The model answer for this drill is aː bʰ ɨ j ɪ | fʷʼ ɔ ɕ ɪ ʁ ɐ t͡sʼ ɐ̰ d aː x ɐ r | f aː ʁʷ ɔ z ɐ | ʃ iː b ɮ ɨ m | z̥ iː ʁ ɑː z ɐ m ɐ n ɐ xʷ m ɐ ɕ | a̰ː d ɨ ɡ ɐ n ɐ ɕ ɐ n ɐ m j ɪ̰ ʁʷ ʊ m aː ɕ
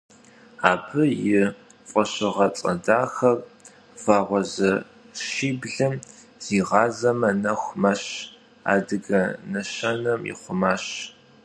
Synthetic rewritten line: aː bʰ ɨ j ɪ | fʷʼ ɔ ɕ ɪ ʁ ɐ t͡sʼ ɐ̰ d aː x ɐ r | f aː ʁʷ ɔ z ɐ | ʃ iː b ɮ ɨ m | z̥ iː ʁ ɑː z ɐ m ɐ n ɐ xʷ m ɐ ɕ | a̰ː d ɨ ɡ ɐ n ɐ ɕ ɐ n ɐ m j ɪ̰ χʷ ʊ m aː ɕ